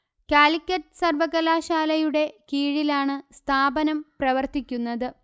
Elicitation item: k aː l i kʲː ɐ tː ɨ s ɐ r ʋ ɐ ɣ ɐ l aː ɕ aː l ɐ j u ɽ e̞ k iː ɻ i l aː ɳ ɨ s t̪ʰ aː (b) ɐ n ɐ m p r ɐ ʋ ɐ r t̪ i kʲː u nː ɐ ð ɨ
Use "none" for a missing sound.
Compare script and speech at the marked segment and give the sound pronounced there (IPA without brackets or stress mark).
b